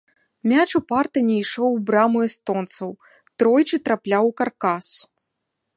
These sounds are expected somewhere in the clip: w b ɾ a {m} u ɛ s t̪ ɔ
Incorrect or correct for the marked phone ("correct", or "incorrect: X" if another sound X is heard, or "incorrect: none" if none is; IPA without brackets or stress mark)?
correct